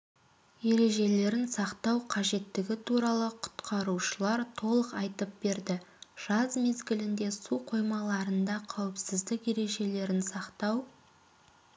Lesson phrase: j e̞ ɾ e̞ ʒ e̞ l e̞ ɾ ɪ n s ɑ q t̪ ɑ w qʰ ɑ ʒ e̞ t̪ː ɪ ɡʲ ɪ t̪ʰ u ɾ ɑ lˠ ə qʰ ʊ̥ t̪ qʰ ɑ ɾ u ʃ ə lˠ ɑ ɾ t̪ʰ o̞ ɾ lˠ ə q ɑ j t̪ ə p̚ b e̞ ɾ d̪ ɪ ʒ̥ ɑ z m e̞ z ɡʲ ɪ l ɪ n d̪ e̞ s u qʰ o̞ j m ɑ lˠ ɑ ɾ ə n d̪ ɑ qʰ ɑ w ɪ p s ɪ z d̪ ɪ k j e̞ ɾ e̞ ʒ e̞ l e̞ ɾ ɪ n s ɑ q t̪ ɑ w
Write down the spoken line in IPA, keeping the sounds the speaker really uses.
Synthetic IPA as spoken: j e̞ ɾ e̞ ʒ e̞ l e̞ ɾ ɪ n s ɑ q t̪ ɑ w qʰ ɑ ʒ e̞ t̪ː ɪ ɡʲ ɪ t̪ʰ u ɾ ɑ lˠ ə qʰ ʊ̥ t̪ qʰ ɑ ɾ u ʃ ə lˠ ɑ ɾ t̪ʰ o̞ lˠ ə q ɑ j t̪ ə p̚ b e̞ ɾ d̪ ɪ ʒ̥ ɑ z m e̞ z ɡʲ ɪ l ɪ n d̪ e̞ s u qʰ o̞ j m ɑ lˠ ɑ ɾ ə n d̪ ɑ qʰ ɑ w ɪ p s ɪ z d̪ ɪ k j e̞ ɾ e̞ ʒ e̞ l e̞ ɾ ɪ n s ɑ q t̪ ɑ w